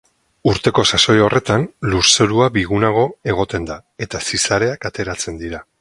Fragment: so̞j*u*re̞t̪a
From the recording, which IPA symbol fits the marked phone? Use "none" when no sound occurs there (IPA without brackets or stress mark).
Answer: o